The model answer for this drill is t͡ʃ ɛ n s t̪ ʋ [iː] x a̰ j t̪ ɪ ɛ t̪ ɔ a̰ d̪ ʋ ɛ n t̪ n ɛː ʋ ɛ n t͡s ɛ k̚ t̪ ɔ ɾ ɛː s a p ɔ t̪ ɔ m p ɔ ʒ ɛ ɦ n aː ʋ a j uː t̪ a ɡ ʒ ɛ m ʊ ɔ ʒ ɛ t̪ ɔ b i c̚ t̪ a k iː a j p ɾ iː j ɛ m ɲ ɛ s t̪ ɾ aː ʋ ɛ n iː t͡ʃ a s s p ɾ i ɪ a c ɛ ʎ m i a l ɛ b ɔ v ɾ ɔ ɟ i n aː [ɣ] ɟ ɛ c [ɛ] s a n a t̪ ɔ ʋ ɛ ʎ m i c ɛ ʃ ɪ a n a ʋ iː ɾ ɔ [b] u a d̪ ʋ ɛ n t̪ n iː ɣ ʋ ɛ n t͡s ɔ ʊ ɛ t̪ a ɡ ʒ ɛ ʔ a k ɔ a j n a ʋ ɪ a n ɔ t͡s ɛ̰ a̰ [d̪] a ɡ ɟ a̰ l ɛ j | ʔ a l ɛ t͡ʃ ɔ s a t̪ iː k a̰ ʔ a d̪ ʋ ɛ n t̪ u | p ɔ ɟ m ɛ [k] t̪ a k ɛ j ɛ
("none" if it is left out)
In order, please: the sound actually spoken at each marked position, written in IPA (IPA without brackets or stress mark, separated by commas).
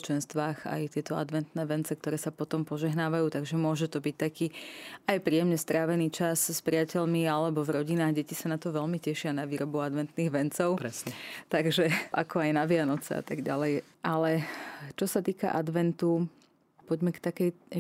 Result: aː, ɣ, i, b, t̪, k